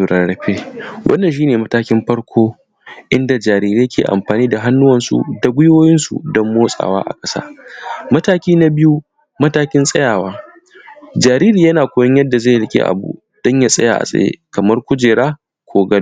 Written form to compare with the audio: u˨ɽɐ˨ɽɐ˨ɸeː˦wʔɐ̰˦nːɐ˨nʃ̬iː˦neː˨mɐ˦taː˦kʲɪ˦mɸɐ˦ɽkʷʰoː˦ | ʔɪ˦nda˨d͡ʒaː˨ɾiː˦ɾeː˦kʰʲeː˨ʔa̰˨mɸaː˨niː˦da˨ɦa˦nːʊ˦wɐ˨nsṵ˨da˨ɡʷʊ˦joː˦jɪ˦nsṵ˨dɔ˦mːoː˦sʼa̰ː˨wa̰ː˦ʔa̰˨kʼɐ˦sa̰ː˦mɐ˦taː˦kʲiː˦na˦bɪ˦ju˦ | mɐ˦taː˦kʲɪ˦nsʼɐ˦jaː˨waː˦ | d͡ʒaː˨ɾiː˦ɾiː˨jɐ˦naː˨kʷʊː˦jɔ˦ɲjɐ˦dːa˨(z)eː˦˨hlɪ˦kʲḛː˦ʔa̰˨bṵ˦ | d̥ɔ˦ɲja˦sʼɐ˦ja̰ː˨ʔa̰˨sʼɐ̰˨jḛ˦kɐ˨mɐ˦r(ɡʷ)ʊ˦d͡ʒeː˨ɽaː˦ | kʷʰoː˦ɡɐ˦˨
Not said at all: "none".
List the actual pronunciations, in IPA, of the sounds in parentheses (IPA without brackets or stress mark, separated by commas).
z, kʷ